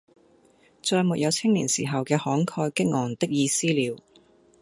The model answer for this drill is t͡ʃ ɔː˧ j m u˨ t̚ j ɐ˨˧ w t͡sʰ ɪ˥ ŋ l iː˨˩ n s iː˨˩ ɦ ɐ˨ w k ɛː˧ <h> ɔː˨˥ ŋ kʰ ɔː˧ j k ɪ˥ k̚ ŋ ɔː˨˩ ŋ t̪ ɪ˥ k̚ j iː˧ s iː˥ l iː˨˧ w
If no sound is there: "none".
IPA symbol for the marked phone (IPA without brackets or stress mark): h